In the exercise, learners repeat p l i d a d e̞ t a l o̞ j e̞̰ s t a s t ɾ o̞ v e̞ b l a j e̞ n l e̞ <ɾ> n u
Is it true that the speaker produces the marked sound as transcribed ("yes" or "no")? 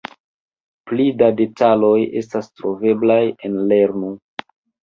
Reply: yes